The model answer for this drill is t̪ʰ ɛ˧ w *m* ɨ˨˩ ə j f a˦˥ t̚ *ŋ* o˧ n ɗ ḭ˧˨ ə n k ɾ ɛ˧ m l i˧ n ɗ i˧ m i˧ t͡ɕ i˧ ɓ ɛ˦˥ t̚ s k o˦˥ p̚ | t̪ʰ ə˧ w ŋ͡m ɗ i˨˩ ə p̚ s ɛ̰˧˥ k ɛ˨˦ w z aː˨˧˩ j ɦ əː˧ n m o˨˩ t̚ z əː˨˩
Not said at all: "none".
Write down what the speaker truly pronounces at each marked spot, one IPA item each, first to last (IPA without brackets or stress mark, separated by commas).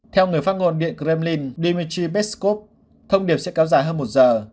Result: ŋ, ŋ